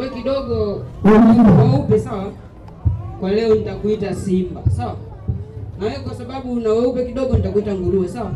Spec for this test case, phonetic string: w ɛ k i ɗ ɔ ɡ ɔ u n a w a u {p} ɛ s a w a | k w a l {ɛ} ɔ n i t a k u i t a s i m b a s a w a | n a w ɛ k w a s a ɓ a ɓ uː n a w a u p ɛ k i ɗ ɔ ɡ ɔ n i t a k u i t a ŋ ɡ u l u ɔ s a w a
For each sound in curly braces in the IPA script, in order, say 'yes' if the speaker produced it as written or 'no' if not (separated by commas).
yes, yes